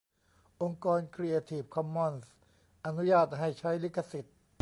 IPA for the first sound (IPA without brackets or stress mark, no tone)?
ʔ